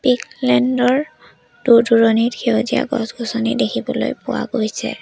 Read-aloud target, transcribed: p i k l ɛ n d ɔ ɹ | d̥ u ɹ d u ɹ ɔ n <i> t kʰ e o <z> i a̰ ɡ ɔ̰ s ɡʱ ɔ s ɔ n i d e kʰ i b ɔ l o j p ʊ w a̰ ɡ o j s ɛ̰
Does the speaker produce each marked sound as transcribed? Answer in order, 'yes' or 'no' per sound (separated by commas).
yes, yes